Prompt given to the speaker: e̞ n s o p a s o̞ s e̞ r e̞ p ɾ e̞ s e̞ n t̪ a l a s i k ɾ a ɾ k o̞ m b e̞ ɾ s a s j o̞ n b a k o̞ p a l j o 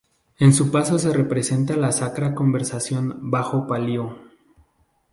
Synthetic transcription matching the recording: e̞ n s u p a s o̞ s e̞ r e̞ p ɾ e̞ s e̞ n t̪ a l a s a k ɾ a k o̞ m b e̞ ɾ s a s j o̞ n b a x o̞ p a l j o